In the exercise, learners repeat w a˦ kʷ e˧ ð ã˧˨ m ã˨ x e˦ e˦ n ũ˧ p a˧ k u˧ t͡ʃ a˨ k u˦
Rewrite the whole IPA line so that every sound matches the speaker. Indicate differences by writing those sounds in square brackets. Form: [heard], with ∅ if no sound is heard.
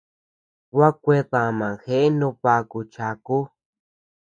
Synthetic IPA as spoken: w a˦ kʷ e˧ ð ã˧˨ m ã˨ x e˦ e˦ n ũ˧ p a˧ k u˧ t͡ʃ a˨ k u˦